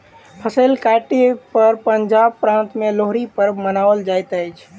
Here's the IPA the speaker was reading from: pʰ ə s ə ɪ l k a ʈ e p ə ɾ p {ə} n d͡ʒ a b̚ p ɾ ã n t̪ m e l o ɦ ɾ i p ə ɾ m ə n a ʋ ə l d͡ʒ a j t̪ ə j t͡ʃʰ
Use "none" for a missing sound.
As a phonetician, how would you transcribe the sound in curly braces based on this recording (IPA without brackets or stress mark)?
ə